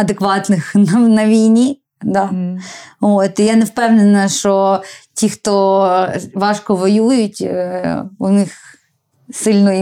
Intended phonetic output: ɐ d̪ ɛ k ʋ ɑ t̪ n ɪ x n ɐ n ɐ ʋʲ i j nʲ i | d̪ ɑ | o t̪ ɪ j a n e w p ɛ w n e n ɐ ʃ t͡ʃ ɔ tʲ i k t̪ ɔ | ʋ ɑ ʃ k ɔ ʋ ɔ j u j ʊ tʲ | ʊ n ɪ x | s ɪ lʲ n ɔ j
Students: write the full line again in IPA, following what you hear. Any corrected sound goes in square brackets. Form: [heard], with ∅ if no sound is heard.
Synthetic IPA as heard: ɐ d̪ [e] k ʋ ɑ t̪ n ɪ x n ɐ n ɐ ʋʲ i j nʲ i | d̪ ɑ | o t̪ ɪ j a n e w p ɛ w n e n ɐ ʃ t͡ʃ ɔ tʲ i [x] t̪ ɔ | ʋ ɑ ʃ k ɔ ʋ ɔ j u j ʊ tʲ | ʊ n ɪ x | s ɪ lʲ n ɔ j